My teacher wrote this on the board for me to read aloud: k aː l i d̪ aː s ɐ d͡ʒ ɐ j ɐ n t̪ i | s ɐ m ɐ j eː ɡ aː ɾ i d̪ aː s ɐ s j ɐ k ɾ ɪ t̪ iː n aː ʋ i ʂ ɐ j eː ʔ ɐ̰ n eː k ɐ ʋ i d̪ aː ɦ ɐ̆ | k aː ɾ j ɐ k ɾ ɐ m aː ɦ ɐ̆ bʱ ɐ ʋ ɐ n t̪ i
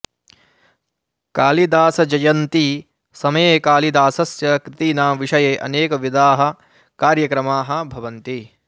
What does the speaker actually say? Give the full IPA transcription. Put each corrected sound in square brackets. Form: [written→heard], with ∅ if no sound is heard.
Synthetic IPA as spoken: k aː l i d̪ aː s ɐ d͡ʒ ɐ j ɐ n t̪ i | s ɐ m ɐ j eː [ɡ→k] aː [ɾ→l] i d̪ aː s ɐ s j ɐ k ɾ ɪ t̪ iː n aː ʋ i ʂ ɐ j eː ʔ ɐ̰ n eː k ɐ ʋ i d̪ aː ɦ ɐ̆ | k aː ɾ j ɐ k ɾ ɐ m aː ɦ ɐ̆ bʱ ɐ ʋ ɐ n t̪ i